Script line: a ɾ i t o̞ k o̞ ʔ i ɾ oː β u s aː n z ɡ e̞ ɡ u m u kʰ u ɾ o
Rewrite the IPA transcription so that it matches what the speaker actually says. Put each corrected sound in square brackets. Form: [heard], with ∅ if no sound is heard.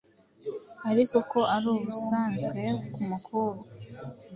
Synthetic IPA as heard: a ɾ i [k] o̞ k o̞ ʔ [a] ɾ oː β u s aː n z ɡ e̞ [k] u m u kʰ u ɾ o